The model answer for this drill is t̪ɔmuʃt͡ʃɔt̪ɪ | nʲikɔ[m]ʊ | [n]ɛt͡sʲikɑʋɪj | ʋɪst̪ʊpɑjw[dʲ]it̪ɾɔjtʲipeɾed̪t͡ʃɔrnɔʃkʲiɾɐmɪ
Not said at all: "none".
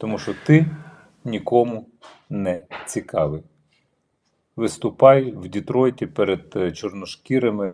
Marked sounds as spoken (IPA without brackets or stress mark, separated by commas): m, n, dʲ